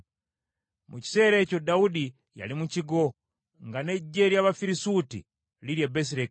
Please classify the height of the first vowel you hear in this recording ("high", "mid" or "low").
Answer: high